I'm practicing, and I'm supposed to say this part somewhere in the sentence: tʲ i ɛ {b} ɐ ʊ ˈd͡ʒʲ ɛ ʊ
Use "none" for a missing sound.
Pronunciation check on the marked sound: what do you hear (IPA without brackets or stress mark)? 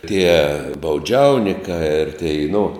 b